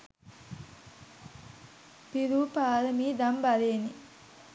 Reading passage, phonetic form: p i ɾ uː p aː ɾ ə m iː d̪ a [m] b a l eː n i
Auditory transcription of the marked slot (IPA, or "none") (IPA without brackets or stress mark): m